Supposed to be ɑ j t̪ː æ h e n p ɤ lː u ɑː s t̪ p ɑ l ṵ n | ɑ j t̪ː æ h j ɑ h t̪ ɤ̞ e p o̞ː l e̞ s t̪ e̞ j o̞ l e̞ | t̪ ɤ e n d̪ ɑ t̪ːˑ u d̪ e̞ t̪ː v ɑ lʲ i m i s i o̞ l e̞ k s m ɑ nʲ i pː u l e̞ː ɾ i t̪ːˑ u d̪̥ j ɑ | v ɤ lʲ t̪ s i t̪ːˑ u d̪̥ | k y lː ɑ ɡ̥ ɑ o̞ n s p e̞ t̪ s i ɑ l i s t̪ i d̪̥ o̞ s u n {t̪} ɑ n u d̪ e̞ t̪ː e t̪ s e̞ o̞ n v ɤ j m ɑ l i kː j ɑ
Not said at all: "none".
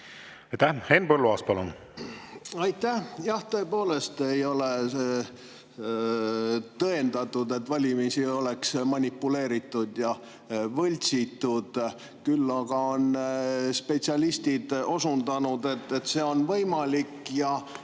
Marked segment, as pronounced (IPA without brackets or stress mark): d̪